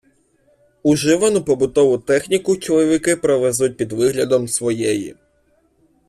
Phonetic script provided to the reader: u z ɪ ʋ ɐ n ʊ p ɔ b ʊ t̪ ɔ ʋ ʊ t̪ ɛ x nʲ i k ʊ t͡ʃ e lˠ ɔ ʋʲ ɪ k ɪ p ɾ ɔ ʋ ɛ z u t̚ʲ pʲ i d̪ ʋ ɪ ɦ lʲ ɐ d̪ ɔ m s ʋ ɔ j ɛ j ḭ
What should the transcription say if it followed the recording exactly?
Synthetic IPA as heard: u ʒ ɪ ʋ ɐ n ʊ p ɔ b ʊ t̪ ɔ ʋ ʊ t̪ ɛ x nʲ i k ʊ t͡ʃ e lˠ ɔ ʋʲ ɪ k ɪ p ɾ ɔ ʋ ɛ z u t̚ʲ pʲ i d̪ ʋ ɪ ɦ lʲ ɐ d̪ ɔ m s ʋ ɔ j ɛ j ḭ